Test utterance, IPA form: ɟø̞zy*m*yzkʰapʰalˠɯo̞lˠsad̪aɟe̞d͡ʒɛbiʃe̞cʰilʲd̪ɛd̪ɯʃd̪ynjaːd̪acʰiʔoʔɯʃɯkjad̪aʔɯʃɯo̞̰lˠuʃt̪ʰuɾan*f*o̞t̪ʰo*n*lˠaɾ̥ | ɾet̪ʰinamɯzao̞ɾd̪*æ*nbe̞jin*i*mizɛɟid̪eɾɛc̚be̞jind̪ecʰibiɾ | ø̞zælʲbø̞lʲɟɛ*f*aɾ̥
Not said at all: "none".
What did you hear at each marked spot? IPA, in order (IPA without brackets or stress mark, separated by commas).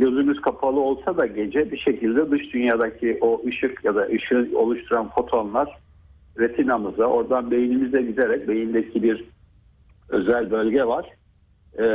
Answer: m, f, n, a, i, v